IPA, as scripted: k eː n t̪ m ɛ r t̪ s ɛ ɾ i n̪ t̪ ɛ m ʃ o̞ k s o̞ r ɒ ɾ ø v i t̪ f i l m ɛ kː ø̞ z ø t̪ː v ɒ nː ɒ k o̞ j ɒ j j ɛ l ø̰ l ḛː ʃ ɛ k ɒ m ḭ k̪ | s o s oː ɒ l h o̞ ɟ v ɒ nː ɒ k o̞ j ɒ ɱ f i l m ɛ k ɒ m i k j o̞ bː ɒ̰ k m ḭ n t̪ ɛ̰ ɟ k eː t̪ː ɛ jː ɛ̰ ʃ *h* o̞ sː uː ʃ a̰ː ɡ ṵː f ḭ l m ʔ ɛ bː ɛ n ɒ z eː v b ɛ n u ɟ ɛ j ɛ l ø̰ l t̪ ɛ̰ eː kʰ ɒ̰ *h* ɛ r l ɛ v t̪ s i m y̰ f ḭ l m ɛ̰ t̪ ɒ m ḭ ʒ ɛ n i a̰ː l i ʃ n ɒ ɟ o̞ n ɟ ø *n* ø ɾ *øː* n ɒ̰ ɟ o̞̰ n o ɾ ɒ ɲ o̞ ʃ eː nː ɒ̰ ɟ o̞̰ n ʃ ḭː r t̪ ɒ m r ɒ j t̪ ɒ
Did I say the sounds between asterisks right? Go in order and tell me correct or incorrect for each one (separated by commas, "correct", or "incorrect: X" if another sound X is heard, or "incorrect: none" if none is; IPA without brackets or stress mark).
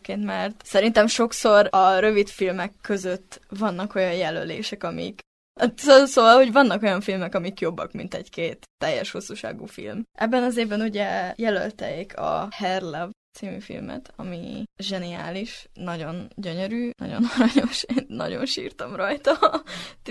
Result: correct, correct, incorrect: ɲ, incorrect: yː